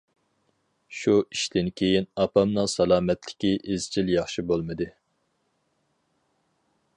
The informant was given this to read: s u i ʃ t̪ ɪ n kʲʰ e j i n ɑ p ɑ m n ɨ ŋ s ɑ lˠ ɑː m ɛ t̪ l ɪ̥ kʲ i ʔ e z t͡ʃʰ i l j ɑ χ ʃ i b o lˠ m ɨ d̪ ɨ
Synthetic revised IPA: ʃ u i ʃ t̪ ɪ n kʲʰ e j i n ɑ p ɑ m n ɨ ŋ s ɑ lˠ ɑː m ɛ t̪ l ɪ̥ kʲ i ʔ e z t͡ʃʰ i l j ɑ χ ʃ i b o lˠ m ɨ d̪ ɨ